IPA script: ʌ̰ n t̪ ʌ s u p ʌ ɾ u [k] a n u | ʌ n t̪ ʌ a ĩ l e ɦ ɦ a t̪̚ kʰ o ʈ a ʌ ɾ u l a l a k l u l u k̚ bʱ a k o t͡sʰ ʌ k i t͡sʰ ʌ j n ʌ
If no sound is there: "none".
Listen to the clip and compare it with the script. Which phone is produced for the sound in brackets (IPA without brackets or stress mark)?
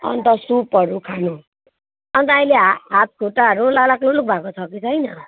kʰ